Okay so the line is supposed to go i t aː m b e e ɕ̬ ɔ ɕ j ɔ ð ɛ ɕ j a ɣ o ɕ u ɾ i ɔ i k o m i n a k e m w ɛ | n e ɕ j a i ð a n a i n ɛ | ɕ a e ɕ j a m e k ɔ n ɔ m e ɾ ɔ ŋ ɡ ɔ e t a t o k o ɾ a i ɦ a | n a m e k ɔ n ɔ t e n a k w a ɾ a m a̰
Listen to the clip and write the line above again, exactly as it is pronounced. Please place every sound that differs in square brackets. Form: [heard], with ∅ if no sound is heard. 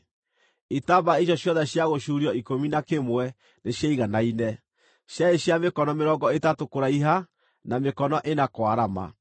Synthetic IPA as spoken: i t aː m b [a] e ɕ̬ ɔ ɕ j ɔ ð ɛ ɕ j a ɣ o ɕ u ɾ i ɔ i k o m i n a k e m w ɛ | n e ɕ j a i [ɣ] a n a i n ɛ | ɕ a e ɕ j a m e k ɔ n ɔ m e ɾ ɔ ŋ ɡ ɔ e t a t o k o ɾ a i ɦ a | n a m e k ɔ n ɔ [ʔ] e n a k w a ɾ a m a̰